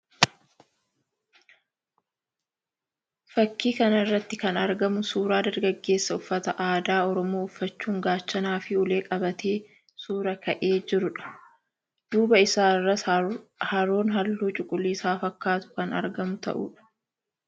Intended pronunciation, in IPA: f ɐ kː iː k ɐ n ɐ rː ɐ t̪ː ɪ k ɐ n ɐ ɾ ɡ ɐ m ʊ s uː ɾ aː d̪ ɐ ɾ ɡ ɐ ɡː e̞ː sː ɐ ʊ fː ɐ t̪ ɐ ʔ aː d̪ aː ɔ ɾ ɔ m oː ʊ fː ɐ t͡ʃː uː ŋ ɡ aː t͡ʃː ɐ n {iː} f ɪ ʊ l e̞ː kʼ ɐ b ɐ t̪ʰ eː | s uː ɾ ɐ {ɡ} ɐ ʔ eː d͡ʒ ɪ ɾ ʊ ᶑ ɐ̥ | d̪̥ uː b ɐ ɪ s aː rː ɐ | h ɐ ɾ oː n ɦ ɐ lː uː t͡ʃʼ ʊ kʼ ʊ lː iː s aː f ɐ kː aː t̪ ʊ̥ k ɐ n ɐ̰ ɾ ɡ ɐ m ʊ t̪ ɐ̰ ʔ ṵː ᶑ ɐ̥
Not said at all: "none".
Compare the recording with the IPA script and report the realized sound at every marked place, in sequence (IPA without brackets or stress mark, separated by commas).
aː, k